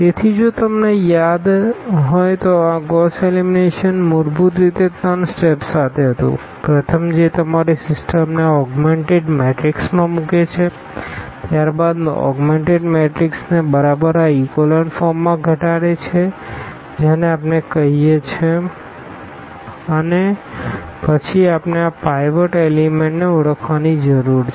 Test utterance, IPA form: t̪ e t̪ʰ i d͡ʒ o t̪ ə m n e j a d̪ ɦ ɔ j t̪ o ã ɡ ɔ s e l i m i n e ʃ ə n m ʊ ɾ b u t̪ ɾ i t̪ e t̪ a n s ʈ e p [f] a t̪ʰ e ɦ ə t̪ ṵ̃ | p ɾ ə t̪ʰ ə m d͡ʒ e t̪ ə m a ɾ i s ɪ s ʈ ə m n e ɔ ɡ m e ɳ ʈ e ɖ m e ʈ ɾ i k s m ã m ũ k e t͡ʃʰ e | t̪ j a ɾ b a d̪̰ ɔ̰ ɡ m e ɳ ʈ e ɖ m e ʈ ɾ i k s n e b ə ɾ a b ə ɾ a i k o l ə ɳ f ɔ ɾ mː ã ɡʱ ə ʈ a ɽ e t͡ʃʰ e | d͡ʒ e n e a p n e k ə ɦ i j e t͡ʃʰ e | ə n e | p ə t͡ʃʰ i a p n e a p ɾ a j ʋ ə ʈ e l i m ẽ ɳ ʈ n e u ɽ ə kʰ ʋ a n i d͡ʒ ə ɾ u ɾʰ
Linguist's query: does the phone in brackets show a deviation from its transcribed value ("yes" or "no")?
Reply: yes